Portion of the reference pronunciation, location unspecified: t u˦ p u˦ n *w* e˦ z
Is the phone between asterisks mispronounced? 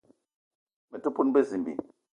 yes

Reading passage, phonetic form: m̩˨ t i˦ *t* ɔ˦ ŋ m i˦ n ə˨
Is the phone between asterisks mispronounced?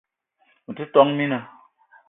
no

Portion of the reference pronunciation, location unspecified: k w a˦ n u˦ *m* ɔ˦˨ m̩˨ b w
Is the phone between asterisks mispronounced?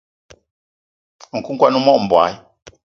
no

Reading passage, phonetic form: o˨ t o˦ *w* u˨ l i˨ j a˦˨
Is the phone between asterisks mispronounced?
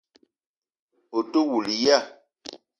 no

